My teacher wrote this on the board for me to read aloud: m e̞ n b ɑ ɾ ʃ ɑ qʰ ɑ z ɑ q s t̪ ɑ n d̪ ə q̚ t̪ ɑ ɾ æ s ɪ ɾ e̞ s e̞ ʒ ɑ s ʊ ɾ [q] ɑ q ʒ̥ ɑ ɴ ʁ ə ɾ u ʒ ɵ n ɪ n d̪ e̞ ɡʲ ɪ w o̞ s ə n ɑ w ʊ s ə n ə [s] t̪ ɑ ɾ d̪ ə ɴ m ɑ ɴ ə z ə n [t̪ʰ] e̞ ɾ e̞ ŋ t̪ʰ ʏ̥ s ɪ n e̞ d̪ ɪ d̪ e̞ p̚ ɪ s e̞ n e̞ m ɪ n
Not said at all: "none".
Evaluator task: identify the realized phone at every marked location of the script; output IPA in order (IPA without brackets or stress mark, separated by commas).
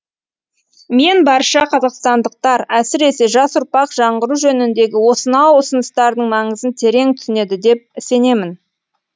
p, s, t̪ʰ